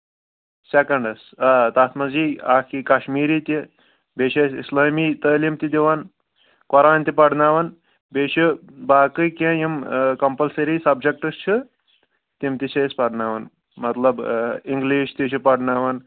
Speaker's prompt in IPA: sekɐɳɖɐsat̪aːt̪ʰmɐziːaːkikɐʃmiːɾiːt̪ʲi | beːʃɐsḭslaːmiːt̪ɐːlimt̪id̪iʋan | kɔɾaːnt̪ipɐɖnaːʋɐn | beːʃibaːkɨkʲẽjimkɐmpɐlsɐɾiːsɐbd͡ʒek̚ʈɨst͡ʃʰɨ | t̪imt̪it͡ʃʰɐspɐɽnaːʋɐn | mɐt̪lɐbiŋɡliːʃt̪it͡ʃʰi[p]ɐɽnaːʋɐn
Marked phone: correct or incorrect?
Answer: correct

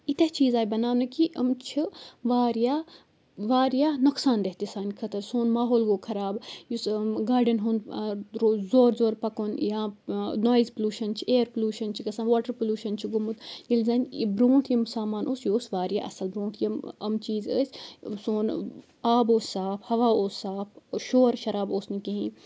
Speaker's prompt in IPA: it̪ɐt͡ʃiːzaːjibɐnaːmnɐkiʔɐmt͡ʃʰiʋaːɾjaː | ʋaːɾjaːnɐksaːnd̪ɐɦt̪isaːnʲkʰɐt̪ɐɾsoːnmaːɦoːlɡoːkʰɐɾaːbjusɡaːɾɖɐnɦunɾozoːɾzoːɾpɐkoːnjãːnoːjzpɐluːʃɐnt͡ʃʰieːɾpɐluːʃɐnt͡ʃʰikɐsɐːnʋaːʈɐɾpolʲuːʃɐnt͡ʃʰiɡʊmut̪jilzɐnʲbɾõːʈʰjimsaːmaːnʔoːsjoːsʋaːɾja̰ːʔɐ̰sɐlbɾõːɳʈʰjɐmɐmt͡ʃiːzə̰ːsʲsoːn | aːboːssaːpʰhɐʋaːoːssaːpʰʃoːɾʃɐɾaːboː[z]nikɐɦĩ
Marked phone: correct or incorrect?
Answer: incorrect: s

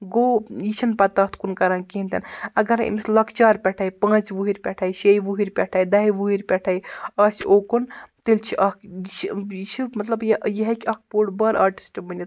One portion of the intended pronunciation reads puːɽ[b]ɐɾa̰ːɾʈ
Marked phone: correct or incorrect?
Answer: correct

